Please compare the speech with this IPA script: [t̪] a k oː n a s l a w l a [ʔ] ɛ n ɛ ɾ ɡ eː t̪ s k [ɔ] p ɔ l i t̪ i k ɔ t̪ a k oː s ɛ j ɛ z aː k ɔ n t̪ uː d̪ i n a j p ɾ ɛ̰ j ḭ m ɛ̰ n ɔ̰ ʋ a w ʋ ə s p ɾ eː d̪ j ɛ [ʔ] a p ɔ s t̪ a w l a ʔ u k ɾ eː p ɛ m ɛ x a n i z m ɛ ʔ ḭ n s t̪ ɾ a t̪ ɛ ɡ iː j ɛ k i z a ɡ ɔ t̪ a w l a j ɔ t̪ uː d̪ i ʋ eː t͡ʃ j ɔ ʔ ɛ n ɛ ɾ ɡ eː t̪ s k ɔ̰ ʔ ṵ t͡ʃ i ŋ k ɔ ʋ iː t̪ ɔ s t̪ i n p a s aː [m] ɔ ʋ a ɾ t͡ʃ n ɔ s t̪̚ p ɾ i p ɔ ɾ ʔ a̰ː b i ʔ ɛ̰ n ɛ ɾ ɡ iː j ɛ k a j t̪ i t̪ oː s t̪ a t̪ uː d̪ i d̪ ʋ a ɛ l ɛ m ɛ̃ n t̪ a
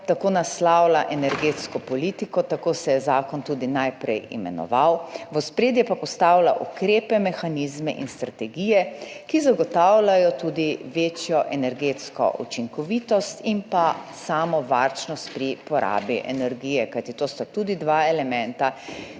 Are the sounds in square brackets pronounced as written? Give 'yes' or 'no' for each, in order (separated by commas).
yes, yes, yes, no, yes